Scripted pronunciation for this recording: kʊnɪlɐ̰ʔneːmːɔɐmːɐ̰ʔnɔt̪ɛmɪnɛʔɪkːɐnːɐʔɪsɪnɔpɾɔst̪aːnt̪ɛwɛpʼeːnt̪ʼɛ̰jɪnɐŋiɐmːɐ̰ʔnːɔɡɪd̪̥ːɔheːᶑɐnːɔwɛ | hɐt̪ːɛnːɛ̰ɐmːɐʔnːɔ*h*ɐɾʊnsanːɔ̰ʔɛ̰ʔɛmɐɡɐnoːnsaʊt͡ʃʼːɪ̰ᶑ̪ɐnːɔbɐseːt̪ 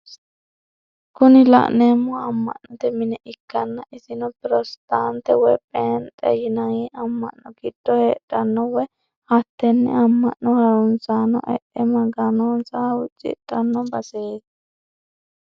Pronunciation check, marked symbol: correct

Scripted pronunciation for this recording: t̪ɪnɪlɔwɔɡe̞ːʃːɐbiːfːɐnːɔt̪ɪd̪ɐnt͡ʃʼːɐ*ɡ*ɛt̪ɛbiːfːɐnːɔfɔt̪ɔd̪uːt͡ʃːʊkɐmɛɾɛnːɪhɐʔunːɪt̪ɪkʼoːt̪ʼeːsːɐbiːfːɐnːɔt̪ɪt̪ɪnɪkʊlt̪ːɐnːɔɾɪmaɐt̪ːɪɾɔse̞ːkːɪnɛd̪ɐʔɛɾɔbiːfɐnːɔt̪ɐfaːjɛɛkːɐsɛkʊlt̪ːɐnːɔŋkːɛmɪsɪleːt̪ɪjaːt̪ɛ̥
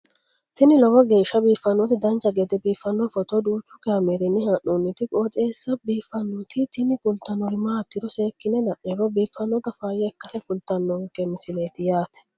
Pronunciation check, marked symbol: correct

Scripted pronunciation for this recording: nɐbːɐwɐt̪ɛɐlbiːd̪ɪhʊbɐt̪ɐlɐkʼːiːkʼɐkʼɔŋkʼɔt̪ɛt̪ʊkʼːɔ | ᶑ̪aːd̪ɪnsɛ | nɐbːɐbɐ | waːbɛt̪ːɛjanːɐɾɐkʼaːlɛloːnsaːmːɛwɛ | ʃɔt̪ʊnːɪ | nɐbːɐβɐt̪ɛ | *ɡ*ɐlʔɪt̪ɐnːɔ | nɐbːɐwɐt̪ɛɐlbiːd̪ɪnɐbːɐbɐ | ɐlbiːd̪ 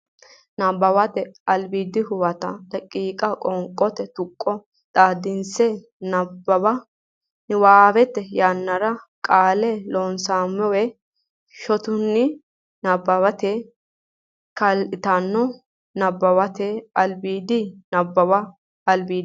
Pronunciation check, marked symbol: incorrect: k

